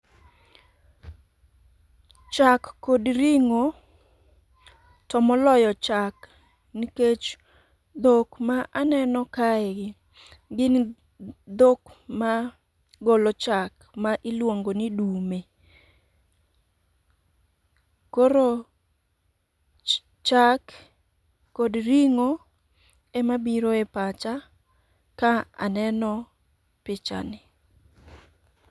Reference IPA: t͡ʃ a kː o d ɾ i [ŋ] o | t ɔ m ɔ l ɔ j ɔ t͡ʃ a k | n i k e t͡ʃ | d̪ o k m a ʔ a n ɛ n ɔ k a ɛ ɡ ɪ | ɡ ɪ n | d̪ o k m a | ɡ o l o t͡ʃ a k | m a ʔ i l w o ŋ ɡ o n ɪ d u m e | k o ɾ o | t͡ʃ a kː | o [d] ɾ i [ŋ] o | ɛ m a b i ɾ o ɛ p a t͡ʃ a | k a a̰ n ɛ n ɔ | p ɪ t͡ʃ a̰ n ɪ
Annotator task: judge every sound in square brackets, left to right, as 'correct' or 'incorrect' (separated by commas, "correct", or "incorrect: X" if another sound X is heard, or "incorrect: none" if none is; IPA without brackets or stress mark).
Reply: correct, correct, correct